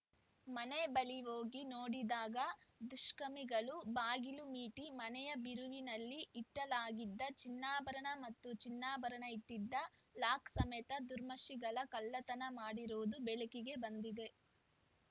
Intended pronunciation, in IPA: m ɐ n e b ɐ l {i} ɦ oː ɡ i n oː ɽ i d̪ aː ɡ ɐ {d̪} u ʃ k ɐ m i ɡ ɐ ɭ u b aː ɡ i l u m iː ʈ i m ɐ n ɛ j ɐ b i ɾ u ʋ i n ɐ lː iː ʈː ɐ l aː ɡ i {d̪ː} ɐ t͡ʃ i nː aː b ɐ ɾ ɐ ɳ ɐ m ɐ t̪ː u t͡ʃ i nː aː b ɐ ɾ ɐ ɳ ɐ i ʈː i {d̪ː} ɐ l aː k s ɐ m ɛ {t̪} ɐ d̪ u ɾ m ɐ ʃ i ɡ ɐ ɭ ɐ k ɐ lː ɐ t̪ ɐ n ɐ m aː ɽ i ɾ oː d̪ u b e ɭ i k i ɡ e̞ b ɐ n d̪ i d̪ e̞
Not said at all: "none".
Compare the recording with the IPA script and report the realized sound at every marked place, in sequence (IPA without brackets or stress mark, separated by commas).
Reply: i, d̪, d̪ː, d̪ː, t̪